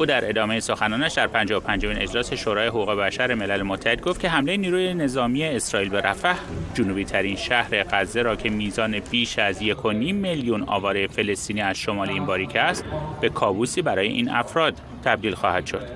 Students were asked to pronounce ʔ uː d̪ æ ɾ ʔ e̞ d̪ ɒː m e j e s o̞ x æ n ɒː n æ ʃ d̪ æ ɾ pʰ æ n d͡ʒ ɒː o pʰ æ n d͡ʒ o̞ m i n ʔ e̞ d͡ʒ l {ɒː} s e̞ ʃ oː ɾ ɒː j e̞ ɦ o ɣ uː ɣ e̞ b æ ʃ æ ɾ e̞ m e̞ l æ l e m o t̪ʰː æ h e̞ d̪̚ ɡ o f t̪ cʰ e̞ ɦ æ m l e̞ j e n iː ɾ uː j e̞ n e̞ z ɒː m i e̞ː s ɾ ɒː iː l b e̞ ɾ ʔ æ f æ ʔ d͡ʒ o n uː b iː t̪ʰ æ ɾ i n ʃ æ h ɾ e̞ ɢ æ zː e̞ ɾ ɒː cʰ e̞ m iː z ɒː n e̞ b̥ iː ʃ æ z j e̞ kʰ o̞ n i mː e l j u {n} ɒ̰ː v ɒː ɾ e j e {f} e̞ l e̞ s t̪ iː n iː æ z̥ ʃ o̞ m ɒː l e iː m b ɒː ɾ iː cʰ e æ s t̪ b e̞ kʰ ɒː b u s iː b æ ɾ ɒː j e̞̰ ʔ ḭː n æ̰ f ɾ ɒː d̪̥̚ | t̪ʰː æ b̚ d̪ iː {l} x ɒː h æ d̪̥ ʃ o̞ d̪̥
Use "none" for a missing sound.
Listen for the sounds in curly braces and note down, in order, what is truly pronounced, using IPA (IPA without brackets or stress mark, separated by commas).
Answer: ɒː, n, f, l